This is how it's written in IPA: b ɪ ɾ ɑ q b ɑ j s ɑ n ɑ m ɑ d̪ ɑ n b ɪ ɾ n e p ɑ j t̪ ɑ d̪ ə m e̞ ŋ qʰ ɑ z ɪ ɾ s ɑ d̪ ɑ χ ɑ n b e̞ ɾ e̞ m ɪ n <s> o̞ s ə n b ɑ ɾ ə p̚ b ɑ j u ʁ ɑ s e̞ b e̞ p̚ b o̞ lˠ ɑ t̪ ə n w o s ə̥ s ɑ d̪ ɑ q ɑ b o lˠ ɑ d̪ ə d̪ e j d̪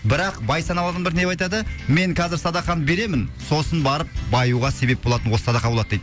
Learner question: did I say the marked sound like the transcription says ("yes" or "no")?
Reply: yes